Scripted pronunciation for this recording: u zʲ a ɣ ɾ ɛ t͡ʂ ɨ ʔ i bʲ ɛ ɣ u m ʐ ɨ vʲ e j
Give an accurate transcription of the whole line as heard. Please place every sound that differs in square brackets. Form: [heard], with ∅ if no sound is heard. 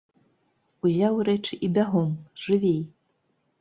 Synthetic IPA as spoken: u zʲ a [w] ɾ ɛ t͡ʂ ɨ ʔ i bʲ [a] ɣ [ɔ] m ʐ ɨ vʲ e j